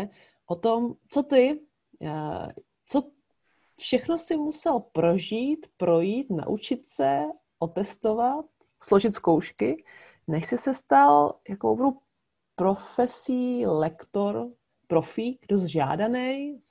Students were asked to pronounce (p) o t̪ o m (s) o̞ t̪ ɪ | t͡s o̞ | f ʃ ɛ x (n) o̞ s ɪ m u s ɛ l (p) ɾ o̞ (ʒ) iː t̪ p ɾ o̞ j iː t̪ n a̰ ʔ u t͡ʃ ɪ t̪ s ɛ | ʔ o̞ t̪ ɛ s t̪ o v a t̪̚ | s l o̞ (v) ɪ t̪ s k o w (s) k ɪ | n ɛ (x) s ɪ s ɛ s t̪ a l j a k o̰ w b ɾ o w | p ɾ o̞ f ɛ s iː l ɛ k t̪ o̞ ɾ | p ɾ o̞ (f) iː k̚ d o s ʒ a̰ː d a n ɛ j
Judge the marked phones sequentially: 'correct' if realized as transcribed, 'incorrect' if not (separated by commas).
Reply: incorrect, incorrect, correct, correct, correct, incorrect, incorrect, incorrect, correct